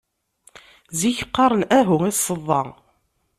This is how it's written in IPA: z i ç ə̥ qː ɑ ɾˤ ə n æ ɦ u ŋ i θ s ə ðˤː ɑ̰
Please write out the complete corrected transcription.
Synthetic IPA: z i ç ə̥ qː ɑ ɾˤ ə n æ ɦ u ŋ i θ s ə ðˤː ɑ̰

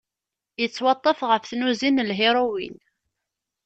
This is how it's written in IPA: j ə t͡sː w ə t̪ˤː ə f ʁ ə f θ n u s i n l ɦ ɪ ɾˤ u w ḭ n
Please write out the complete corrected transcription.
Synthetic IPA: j ə t͡sː w ɑ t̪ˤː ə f ʁ ə f θ n u z i n l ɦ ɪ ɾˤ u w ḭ n

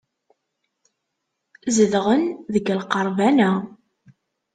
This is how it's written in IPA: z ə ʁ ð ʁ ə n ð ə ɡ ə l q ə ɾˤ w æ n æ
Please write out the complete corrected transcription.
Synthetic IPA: z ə ð ʁ ə n ð ə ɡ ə l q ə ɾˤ v æ n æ

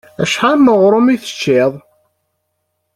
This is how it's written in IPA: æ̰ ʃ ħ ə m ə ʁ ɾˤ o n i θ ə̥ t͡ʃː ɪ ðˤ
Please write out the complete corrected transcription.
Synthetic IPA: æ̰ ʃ ħ a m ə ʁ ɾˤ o m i θ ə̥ t͡ʃː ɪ ðˤ

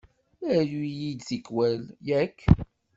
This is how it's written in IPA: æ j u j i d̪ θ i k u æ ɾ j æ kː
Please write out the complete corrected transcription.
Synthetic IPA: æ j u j i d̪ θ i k w æ l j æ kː

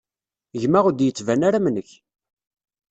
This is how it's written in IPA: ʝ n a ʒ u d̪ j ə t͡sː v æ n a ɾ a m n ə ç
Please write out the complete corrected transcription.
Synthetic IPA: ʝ m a ʁ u d̪ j ə t͡sː v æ n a ɾ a m n ə ç

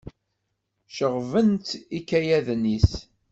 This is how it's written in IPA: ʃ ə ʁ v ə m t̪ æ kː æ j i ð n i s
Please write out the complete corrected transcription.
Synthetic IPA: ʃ ə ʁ v ə n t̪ i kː æ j æ ð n i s

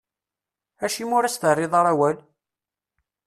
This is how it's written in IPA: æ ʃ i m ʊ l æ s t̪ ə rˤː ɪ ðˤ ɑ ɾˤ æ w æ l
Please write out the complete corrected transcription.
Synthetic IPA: æ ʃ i m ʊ ɾ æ s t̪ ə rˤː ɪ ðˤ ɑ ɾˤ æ w æ l

